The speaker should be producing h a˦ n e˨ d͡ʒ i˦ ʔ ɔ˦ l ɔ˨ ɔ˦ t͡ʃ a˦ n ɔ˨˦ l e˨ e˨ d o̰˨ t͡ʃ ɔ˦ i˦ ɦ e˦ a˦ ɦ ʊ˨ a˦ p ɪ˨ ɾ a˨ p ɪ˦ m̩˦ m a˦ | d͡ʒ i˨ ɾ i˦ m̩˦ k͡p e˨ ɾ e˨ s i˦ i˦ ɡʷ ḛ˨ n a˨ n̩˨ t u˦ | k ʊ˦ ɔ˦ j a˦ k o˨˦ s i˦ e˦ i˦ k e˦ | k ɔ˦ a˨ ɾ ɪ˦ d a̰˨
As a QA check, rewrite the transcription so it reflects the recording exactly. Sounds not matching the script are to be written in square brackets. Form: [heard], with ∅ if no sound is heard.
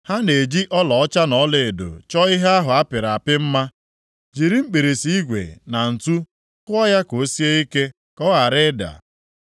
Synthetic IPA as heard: h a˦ n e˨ d͡ʒ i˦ ʔ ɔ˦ l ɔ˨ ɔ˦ t͡ʃ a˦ n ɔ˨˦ l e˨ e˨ d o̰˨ t͡ʃ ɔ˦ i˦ ɦ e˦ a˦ ɦ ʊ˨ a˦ p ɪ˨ ɾ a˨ p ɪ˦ m̩˦ m a˦ | d͡ʒ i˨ ɾ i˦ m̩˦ k͡p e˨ ɾ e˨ s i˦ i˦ ɡʷ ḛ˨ n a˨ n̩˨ t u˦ | k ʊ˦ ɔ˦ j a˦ k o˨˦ s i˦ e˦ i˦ k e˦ | k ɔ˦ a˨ ɾ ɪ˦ d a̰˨